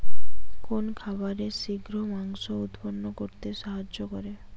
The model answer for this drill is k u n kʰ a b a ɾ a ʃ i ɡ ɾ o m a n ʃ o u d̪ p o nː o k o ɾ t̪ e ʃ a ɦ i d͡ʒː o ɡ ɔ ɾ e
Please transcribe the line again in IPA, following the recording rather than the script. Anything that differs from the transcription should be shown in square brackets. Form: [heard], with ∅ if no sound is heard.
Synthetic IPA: k [o] n kʰ a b a ɾ [e] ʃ i ɡ ɾ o m a [ŋ] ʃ o u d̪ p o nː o k o ɾ t̪ e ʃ a ɦ [a] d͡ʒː o [k] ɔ ɾ e